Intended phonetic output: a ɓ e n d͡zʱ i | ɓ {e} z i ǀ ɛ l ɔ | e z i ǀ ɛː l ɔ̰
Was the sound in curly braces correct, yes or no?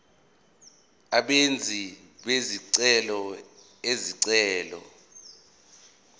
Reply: yes